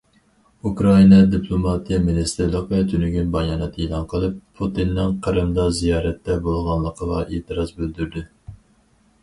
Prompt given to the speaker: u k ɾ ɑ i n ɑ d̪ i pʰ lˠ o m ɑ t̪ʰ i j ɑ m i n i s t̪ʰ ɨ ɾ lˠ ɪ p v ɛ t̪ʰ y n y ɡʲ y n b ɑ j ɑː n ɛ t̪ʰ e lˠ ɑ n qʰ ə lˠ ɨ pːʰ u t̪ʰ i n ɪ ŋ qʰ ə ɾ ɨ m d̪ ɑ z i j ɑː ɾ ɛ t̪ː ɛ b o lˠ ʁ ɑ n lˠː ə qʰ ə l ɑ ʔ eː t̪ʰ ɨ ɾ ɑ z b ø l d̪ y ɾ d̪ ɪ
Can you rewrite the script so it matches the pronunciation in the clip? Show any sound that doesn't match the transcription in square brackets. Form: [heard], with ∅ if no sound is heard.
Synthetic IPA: u k ɾ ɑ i n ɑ d̪ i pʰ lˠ o m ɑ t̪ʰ i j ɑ m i n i s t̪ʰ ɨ ɾ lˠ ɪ [q] v ɛ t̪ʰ y n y ɡʲ y n b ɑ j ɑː n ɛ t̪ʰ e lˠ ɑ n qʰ ə lˠ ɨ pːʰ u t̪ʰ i [nː] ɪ ŋ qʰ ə ɾ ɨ m d̪ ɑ z i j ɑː ɾ ɛ t̪ː ɛ b o lˠ ʁ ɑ n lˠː ə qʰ ə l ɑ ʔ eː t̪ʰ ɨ ɾ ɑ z b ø l d̪ y ɾ d̪ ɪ